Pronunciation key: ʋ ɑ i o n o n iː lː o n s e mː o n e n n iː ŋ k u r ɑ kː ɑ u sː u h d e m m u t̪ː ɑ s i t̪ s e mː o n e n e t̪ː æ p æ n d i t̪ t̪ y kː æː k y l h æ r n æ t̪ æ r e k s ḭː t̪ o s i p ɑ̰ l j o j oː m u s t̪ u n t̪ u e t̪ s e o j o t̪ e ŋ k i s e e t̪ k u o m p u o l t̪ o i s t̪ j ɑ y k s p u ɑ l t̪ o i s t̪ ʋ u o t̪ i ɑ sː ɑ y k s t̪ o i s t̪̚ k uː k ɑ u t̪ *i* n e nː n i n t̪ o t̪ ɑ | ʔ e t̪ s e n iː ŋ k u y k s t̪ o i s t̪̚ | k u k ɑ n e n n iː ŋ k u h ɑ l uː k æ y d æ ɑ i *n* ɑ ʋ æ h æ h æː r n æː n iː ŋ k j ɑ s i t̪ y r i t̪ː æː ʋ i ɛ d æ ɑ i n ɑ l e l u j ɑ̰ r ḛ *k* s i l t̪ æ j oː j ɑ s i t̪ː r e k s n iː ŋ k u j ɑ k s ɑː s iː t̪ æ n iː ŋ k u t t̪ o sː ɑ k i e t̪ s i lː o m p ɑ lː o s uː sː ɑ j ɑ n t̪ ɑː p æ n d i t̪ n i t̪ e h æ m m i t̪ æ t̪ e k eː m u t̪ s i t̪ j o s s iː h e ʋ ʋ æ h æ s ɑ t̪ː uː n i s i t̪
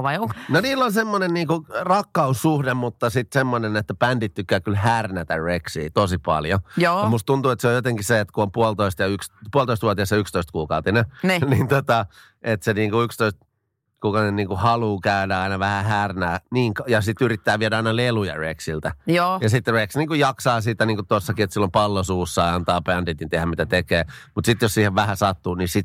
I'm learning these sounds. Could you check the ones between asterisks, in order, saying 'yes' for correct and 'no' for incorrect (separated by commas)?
yes, yes, yes